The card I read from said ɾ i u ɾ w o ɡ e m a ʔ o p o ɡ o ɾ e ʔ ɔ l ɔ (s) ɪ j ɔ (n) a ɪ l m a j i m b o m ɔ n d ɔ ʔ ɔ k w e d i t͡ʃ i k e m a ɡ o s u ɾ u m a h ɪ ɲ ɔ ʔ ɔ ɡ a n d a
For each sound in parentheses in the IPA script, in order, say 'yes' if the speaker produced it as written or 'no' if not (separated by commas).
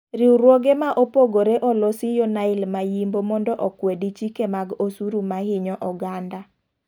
yes, yes